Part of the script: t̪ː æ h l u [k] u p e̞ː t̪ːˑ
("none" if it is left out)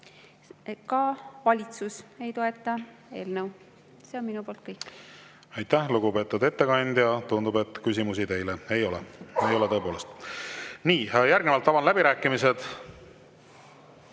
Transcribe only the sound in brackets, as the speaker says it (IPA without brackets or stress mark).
ɡ